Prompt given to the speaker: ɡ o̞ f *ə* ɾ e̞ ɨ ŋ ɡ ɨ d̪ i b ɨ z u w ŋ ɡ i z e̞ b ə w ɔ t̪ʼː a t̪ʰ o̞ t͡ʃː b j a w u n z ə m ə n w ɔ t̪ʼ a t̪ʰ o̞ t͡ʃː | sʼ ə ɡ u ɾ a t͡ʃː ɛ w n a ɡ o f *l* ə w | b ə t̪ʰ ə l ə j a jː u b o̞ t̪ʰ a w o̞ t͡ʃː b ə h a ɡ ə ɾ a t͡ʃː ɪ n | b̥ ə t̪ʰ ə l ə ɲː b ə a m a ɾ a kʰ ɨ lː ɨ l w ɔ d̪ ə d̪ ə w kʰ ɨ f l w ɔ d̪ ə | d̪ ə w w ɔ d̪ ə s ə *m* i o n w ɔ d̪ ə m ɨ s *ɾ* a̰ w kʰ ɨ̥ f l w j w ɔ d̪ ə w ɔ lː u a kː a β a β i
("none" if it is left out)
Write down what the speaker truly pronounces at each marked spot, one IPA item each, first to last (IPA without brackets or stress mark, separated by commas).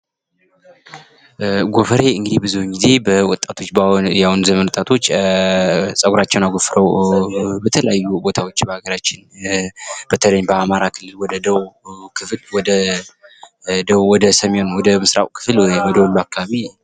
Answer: ə, ɾ, m, ɾ